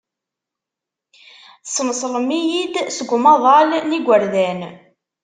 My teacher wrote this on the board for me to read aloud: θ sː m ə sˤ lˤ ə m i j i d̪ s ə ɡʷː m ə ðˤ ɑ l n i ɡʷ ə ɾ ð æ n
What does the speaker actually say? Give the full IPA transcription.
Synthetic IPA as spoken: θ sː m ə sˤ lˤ ə m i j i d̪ s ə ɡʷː m ɑ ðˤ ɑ l n i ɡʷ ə ɾ ð æ n